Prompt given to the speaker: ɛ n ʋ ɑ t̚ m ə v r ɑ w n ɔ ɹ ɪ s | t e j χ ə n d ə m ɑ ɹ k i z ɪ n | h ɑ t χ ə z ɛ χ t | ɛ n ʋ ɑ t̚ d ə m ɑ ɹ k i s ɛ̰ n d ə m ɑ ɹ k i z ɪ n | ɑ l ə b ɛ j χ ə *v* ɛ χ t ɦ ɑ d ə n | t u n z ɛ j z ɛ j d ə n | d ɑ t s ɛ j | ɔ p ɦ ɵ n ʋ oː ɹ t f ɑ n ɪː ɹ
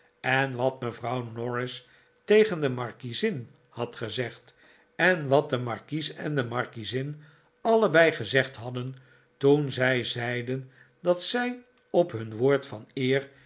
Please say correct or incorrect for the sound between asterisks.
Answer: incorrect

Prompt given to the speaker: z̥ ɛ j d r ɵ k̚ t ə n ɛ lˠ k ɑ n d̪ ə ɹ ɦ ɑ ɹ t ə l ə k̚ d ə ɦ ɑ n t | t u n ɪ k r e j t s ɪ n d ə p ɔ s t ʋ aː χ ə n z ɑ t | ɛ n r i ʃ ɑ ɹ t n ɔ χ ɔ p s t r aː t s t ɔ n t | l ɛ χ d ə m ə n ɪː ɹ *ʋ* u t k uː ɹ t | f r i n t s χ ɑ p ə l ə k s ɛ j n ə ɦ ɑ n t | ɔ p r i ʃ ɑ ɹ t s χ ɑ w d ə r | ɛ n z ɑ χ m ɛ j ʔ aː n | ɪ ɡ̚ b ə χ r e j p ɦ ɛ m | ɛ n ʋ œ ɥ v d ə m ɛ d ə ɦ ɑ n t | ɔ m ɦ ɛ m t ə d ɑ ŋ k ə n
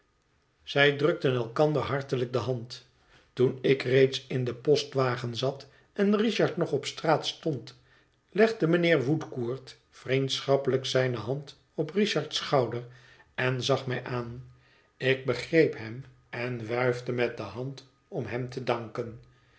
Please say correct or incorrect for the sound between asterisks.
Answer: correct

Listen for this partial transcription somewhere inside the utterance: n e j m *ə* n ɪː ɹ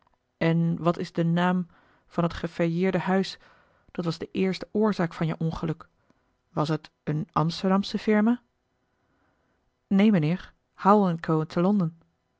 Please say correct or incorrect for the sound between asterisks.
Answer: correct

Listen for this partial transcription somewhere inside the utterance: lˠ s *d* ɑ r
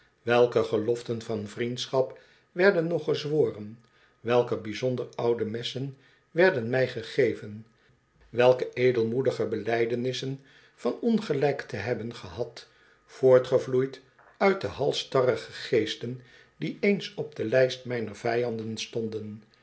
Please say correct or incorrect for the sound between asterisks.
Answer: incorrect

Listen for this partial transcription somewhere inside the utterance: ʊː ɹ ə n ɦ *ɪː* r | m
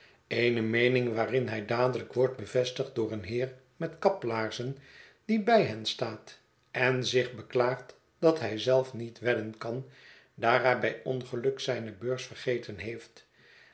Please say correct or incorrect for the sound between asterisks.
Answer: correct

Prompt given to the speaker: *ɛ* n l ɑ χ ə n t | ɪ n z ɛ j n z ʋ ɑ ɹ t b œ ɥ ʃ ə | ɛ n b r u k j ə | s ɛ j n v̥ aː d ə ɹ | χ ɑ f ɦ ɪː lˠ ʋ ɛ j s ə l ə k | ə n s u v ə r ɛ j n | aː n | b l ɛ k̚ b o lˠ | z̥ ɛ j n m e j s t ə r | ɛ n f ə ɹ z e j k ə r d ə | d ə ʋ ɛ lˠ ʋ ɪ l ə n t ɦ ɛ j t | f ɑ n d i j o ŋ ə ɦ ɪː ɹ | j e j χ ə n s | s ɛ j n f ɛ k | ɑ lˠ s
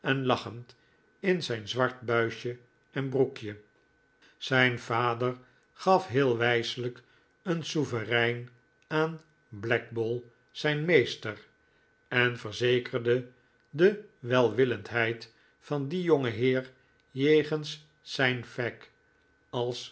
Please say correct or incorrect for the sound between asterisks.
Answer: correct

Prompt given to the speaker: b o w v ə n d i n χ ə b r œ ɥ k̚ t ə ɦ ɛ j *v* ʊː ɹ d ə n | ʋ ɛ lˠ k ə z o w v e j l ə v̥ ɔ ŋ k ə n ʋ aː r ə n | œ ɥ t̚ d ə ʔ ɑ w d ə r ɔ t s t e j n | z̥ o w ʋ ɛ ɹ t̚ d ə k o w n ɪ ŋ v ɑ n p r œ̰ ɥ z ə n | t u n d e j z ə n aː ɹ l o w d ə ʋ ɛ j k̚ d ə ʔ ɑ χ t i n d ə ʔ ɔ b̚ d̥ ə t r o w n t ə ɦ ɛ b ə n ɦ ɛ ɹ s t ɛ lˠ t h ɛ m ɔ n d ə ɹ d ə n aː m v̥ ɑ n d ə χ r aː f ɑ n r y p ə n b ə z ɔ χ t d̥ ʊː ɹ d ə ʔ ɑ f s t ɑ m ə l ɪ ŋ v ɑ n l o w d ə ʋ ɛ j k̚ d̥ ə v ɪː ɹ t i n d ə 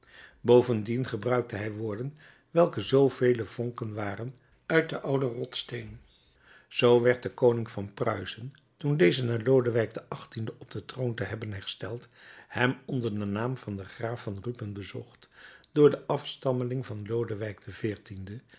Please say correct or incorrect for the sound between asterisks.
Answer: incorrect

